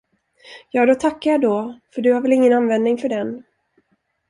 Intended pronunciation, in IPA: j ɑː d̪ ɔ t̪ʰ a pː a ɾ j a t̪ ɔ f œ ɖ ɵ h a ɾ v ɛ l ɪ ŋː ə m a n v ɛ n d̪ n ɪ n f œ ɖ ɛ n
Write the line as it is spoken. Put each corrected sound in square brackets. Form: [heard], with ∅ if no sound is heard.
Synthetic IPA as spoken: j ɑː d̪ ɔ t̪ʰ a [kː] a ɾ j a [d̪] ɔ f œ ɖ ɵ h a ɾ v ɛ l ɪ ŋː ə [n] a n v ɛ n d̪ n ɪ [ŋ] f œ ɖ ɛ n